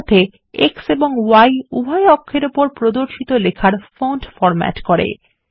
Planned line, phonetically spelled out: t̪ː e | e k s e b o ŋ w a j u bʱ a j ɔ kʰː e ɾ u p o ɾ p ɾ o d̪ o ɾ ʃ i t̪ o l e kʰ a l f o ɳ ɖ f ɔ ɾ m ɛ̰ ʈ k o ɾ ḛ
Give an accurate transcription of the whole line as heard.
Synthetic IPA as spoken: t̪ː e | e k s e b o ŋ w a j u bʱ a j ɔ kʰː e ɾ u p o ɾ p ɾ o d̪ o ɾ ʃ i t̪ o l e kʰ a ɾ f o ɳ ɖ f ɔ ɾ m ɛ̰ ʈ k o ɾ ḛ